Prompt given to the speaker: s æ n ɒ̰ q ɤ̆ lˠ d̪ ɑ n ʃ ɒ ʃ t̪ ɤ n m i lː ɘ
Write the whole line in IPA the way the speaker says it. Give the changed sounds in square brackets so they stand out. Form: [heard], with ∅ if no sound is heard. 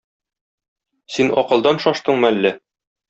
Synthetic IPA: s [i] n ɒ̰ q ɤ̆ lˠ d̪ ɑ n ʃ ɒ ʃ t̪ ɤ [ɴ] m [æ] lː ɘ